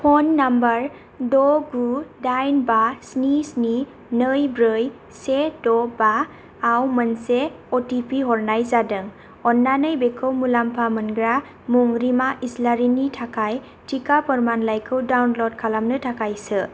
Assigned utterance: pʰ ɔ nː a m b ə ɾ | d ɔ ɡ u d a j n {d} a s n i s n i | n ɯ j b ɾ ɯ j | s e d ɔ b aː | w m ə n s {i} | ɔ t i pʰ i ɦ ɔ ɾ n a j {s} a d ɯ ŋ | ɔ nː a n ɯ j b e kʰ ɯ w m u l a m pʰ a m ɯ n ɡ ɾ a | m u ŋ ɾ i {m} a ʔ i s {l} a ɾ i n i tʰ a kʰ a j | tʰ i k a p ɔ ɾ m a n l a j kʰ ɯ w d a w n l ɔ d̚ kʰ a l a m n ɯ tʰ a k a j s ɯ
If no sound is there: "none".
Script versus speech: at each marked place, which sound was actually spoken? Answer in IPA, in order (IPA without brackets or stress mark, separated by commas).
b, e, z, m, l